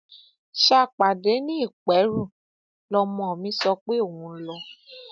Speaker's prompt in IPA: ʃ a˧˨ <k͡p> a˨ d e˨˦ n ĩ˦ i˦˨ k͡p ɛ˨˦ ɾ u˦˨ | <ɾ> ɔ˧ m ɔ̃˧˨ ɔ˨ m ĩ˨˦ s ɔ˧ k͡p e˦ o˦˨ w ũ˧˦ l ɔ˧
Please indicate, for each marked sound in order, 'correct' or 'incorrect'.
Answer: correct, incorrect: l

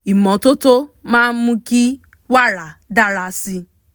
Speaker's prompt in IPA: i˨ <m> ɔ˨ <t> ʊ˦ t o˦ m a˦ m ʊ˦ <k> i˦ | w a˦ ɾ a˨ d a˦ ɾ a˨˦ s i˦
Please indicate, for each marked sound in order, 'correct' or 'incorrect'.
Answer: correct, correct, correct

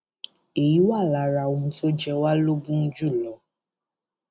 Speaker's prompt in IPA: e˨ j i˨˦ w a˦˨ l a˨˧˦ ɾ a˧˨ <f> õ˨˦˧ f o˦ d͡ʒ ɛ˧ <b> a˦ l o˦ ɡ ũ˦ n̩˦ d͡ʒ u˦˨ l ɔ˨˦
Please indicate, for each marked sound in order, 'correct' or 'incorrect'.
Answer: incorrect: none, incorrect: w

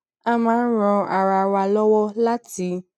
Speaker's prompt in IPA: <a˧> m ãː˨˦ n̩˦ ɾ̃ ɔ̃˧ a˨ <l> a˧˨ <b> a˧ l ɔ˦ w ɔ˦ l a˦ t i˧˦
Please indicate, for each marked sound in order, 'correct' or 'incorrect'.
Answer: correct, incorrect: ɾ, incorrect: w

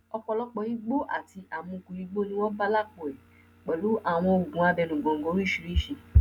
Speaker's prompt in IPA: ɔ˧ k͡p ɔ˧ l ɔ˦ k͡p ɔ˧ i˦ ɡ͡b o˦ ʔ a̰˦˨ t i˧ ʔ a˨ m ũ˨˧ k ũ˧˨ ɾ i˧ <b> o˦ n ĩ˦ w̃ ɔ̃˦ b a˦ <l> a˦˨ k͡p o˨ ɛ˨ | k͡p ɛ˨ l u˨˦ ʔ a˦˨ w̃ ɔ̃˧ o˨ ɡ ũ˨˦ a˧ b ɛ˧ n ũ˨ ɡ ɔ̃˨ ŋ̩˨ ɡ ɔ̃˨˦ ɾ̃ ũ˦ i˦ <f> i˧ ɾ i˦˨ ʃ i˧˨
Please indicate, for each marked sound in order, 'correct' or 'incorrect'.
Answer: incorrect: ɡ͡b, correct, incorrect: ʃ

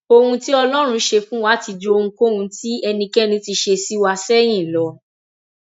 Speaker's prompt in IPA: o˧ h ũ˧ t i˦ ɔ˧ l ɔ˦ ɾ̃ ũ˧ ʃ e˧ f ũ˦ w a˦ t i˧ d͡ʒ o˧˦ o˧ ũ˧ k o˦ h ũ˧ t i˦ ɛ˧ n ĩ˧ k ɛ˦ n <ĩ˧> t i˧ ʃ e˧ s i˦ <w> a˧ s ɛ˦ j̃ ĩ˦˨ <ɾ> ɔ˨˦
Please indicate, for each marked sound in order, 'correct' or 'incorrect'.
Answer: correct, correct, incorrect: l

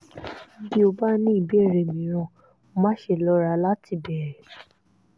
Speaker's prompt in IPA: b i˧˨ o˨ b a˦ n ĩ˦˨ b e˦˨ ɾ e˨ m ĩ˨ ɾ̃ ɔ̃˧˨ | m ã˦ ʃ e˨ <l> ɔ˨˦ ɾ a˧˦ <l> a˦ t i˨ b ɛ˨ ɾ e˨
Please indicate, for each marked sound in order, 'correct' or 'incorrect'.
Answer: correct, correct

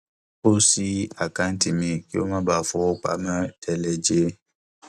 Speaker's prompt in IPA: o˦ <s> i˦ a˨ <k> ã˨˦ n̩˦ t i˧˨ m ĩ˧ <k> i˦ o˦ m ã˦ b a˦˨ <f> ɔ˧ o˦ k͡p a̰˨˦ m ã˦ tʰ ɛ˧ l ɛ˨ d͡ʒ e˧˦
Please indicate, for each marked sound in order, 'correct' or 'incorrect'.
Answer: correct, correct, correct, correct

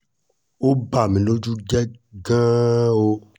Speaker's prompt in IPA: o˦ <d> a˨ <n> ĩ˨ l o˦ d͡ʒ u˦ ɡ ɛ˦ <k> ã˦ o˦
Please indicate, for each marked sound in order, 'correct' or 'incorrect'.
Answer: incorrect: b, incorrect: m, incorrect: ɡ

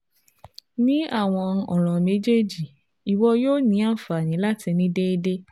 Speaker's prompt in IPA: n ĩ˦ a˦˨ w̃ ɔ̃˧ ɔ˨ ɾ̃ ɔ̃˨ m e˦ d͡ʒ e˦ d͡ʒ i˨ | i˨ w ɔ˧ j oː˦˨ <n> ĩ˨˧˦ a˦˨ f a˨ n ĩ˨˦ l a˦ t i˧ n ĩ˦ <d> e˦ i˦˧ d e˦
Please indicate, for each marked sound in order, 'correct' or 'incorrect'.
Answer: correct, correct

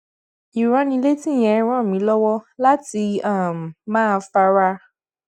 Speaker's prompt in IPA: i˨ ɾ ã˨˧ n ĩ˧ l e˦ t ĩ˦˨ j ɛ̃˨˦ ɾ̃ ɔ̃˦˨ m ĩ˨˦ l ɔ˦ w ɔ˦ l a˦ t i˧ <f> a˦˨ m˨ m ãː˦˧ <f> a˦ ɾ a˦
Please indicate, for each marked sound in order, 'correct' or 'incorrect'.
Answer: incorrect: none, correct

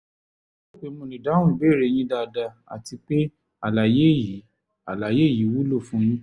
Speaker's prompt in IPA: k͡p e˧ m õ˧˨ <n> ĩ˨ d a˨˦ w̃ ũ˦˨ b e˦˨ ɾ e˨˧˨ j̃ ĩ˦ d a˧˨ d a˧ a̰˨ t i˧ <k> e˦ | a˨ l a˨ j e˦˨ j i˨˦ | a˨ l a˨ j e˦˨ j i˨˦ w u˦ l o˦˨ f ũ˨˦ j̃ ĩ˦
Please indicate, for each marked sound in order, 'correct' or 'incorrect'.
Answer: correct, incorrect: k͡p

